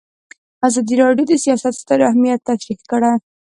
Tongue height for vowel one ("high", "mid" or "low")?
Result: low